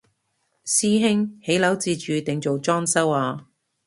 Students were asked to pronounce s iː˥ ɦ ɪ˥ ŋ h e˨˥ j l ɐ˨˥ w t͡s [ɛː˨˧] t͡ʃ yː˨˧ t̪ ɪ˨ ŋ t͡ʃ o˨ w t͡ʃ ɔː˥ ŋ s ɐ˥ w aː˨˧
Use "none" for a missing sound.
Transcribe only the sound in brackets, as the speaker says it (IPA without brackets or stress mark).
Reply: iː˨˧